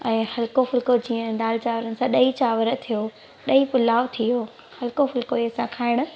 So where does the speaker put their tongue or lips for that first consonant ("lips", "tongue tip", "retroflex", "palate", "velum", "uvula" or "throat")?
throat